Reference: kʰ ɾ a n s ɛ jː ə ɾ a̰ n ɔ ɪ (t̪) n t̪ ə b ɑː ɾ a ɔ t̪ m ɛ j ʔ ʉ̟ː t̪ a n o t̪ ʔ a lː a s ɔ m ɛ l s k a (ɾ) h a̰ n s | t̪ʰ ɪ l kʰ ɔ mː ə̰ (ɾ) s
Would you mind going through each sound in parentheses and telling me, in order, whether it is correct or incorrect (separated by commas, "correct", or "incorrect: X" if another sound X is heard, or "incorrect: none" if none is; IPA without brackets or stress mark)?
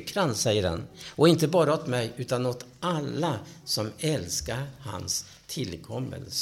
incorrect: none, correct, incorrect: l